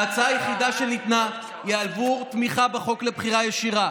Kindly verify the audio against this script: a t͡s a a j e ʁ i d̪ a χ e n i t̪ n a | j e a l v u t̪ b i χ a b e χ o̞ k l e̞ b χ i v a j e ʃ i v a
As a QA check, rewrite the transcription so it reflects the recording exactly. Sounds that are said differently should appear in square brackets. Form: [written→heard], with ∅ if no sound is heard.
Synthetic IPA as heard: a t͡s a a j e [ʁ→χ] i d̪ a [χ→ʃ] e n i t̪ n a | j e a l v u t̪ [b→m] i χ a b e χ o̞ k l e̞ b χ i [v→ʁ] a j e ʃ i [v→ʁ] a